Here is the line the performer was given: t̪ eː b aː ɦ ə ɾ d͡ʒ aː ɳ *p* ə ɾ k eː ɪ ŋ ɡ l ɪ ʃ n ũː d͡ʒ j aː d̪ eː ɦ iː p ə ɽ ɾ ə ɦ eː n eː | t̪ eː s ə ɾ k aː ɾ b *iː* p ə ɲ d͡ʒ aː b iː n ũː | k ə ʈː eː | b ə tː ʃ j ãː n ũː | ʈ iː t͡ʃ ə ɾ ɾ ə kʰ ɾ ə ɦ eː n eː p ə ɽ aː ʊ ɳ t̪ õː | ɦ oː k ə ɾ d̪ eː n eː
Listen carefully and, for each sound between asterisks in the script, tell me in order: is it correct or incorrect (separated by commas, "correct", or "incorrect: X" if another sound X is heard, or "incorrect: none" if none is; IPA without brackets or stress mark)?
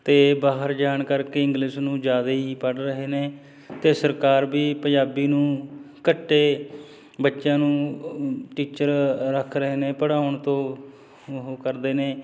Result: incorrect: k, correct